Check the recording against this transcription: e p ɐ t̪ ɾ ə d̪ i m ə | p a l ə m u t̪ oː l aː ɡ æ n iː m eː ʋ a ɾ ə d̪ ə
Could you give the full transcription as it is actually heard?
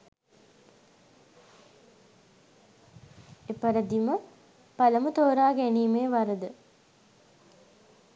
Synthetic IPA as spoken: e p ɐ ɾ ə d̪ i m ə | p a l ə m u t̪ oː ɾ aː ɡ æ n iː m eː ʋ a ɾ ə d̪ ə